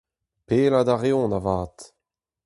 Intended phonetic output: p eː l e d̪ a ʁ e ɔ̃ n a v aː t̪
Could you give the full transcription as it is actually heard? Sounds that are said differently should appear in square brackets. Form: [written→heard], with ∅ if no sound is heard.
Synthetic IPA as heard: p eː l [e→a] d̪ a ʁ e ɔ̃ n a v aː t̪